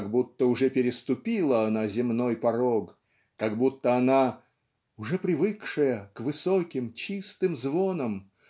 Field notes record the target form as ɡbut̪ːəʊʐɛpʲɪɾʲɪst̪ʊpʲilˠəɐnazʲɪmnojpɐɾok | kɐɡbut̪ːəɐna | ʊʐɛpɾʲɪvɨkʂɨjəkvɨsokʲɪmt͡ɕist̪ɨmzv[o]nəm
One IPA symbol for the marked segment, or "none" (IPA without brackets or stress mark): o